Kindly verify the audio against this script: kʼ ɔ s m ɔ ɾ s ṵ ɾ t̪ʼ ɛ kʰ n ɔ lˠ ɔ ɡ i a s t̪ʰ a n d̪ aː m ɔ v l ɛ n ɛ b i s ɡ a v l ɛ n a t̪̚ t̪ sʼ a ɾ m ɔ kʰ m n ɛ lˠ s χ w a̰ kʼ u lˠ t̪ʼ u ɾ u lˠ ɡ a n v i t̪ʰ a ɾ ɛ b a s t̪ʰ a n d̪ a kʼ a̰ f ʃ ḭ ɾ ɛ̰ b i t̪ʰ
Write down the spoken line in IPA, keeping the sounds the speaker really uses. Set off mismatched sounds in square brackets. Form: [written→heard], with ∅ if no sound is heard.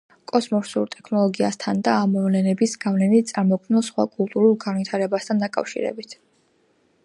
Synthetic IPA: kʼ ɔ s m ɔ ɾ s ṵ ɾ t̪ʼ ɛ kʰ n ɔ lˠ ɔ ɡ i a s t̪ʰ a n d̪ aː m ɔ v l ɛ n ɛ b i s ɡ a v l ɛ n [a→i] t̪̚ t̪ sʼ a ɾ m ɔ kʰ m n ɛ lˠ s χ w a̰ kʼ u lˠ t̪ʼ u ɾ u lˠ ɡ a n v i t̪ʰ a ɾ ɛ b a s t̪ʰ a n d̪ a kʼ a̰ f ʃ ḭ ɾ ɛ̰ b i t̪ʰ